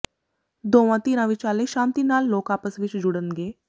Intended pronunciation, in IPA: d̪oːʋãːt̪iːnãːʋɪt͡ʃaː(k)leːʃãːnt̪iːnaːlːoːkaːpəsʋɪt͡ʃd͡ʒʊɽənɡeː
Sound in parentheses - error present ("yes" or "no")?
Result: yes